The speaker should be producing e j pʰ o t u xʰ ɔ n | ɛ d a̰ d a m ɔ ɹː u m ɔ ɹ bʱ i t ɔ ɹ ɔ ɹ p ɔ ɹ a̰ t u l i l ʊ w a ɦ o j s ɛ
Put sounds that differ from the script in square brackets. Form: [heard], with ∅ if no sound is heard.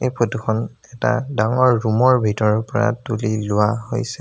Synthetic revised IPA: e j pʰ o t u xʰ ɔ n | ɛ [t] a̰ d a [ŋ] ɔ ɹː u m ɔ ɹ bʱ i t ɔ ɹ ɔ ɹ p ɔ ɹ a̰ t u l i l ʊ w a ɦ o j s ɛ